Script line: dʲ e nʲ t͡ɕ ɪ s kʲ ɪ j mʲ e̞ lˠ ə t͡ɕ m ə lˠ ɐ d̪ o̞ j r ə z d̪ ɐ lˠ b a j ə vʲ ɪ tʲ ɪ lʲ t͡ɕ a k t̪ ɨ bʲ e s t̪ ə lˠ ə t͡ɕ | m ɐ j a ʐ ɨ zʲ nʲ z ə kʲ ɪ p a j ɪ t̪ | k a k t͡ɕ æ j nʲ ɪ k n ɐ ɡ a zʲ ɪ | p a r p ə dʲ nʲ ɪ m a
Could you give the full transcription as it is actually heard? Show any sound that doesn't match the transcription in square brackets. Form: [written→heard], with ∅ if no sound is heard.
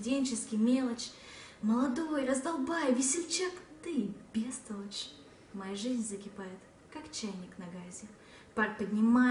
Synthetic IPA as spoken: dʲ e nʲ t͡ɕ ɪ s kʲ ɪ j mʲ e̞ lˠ ə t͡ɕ m ə lˠ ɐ d̪ o̞ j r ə z d̪ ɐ lˠ b a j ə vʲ ɪ [tʲ→sʲ] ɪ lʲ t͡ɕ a k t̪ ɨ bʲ e s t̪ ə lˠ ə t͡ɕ | m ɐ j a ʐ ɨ zʲ nʲ z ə kʲ ɪ p a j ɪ t̪ | k a k t͡ɕ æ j nʲ ɪ k n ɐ ɡ a zʲ ɪ | p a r p ə dʲ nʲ ɪ m a